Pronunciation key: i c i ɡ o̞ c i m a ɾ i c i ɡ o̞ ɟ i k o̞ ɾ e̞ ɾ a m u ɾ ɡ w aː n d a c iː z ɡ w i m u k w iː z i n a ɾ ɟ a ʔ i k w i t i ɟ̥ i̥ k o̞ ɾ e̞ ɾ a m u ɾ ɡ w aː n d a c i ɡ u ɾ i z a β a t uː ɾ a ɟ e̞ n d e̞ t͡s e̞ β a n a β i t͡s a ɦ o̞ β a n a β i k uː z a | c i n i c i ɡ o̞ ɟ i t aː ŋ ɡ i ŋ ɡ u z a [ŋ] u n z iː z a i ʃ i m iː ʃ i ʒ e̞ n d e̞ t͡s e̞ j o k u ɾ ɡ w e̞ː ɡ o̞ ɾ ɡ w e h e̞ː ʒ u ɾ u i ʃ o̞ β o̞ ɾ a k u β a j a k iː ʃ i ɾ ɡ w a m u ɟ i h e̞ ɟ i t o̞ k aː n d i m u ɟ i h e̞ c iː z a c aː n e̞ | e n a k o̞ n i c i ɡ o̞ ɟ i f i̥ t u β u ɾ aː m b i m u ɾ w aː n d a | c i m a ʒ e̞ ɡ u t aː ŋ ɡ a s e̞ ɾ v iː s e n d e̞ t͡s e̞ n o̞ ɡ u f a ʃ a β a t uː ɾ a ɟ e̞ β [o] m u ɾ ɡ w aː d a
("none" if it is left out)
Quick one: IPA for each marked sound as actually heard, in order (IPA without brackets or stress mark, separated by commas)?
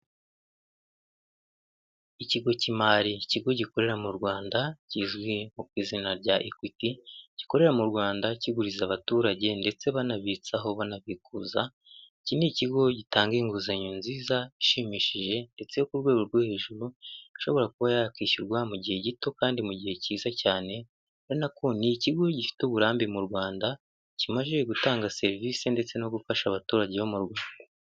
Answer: ɲ, o